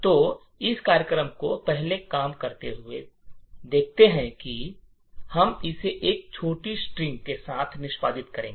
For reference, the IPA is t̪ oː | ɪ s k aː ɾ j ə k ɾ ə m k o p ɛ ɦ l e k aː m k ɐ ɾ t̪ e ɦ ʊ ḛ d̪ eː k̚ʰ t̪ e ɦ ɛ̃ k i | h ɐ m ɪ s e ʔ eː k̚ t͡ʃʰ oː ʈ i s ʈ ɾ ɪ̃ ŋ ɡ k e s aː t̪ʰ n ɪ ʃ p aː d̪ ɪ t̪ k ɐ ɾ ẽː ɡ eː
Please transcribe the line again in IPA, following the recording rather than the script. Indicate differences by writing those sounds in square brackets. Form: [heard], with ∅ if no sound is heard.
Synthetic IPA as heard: t̪ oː | ɪ s k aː ɾ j ə k ɾ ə m k o p ɛ ɦ l e k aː m k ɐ ɾ t̪ e ɦ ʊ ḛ d̪ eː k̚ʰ t̪ e ɦ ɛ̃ k i | h ɐ m ɪ s e ʔ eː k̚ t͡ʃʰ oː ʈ i s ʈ ɾ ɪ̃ ŋ ɡ k e s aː t̪ʰ n ɪ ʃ p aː d̪ ɪ t̪ k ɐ ɾ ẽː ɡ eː